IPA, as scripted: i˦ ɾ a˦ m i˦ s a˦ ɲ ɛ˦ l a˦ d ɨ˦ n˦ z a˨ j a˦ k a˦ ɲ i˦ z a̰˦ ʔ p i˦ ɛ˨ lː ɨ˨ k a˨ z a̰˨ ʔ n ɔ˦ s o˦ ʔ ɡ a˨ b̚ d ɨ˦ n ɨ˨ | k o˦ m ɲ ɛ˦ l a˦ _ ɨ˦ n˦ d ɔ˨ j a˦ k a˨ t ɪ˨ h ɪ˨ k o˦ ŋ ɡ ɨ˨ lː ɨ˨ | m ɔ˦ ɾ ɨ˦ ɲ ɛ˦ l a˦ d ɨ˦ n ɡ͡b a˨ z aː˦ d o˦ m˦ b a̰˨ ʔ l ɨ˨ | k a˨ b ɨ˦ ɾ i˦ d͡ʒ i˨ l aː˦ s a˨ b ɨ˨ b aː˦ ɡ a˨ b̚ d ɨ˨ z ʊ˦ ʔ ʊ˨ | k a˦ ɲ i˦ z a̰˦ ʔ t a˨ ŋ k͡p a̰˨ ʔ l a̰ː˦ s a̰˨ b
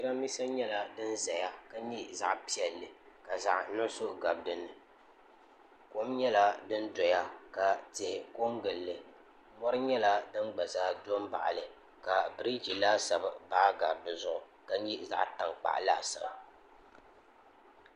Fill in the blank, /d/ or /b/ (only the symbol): d